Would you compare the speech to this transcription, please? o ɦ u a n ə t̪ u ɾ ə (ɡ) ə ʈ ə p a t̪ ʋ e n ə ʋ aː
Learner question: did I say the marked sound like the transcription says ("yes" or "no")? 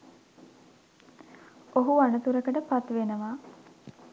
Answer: no